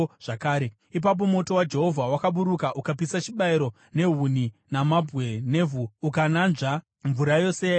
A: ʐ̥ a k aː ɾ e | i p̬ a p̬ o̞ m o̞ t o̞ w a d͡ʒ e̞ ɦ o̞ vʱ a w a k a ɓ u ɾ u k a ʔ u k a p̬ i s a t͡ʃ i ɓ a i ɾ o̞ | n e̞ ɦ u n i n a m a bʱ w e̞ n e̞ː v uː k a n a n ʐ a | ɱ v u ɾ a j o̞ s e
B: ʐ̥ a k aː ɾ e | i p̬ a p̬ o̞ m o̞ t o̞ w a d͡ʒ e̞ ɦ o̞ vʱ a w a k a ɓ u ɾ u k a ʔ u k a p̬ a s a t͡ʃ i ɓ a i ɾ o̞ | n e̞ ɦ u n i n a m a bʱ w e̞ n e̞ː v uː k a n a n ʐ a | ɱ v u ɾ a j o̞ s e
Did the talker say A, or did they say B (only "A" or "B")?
A